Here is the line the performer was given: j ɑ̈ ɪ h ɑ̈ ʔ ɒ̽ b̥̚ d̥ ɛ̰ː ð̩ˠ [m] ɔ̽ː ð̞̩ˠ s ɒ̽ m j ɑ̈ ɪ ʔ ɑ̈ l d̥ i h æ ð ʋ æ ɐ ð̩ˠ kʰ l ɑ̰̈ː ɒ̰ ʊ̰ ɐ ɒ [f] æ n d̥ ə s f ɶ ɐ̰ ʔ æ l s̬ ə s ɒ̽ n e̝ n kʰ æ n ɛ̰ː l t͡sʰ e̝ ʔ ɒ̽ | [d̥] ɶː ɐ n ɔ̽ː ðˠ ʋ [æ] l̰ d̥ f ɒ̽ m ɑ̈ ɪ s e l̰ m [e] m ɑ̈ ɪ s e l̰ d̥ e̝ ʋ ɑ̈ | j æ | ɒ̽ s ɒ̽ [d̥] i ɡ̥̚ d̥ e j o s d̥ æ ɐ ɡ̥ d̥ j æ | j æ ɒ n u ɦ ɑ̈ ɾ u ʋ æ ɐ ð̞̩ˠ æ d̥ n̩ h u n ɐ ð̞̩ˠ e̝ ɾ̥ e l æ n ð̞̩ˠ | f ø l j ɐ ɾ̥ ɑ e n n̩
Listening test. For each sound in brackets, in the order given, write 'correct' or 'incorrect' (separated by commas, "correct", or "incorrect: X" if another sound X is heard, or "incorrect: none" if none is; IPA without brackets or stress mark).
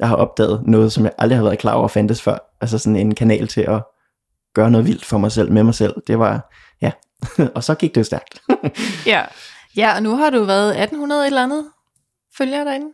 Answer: incorrect: n, correct, incorrect: ɡ̥, incorrect: i, correct, incorrect: ɡ̥